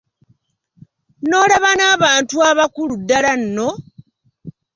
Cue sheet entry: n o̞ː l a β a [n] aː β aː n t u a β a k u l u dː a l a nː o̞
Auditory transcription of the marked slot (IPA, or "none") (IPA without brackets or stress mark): n